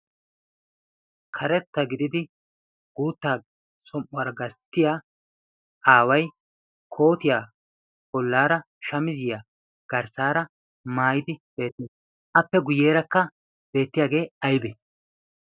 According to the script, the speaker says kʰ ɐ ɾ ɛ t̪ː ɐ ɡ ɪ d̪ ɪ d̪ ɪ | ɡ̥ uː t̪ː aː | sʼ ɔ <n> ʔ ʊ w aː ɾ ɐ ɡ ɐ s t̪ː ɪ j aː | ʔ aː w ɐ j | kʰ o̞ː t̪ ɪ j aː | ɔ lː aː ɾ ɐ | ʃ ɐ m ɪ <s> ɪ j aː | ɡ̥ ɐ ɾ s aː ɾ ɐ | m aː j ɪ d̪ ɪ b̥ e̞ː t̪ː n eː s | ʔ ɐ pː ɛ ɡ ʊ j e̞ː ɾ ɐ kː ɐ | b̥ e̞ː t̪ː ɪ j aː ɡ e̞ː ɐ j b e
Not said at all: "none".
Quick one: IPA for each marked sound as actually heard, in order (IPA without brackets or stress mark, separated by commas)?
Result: m, z